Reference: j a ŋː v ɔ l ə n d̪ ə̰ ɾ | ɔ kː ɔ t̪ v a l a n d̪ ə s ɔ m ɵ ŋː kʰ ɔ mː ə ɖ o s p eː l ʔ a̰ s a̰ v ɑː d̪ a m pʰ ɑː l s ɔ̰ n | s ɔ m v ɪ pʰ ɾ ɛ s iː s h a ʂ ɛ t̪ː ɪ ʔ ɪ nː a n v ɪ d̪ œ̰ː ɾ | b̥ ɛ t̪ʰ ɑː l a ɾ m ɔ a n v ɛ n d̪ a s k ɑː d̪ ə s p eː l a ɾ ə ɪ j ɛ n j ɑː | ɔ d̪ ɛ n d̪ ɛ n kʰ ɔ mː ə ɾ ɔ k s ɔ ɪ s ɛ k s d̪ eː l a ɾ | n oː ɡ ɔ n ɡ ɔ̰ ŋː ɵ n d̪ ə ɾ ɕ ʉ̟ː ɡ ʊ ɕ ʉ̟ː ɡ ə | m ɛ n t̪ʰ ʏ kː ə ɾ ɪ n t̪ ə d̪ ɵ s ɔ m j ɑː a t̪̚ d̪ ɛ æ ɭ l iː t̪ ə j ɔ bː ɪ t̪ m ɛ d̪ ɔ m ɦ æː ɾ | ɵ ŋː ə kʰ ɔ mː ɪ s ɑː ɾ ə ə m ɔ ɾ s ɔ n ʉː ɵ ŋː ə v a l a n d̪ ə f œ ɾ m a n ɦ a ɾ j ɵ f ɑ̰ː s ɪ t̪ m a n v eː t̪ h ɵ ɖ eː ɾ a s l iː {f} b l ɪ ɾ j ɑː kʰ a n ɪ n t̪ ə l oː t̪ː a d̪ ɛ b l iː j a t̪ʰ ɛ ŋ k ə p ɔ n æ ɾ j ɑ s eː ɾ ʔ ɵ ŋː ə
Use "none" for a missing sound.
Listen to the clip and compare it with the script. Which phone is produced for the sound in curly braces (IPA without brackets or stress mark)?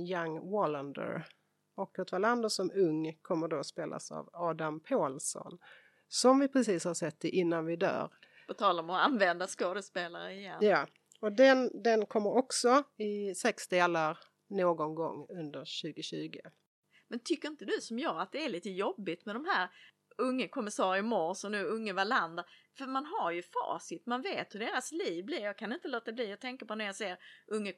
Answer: v